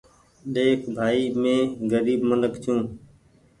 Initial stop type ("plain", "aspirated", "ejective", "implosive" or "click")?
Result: implosive